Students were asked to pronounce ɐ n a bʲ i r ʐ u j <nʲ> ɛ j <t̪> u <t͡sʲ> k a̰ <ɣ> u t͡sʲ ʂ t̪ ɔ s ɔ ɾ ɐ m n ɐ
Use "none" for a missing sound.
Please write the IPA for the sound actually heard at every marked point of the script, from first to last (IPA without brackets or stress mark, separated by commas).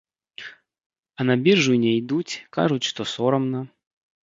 nʲ, d̪, t͡sʲ, ʐ